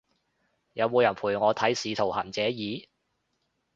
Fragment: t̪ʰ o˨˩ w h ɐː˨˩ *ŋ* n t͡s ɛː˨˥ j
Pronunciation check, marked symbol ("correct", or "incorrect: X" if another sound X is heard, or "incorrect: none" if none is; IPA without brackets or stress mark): incorrect: none